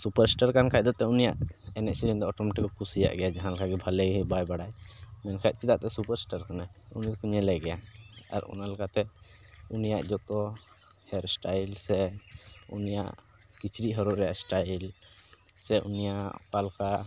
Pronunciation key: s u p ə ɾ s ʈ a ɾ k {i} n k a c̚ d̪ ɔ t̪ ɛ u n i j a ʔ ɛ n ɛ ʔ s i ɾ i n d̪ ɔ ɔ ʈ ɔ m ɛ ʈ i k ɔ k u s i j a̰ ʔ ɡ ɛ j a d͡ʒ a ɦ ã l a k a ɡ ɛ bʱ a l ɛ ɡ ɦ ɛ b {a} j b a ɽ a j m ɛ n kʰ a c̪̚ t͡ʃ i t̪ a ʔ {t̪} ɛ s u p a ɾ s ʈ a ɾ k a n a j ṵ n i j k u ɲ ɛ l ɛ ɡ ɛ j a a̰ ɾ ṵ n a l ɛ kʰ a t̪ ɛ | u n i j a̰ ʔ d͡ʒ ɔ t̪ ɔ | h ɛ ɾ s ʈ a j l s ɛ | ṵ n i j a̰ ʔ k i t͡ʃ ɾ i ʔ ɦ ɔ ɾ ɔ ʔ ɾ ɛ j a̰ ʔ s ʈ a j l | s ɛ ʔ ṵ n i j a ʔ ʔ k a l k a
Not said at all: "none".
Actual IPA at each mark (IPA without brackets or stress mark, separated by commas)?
a, a, t̪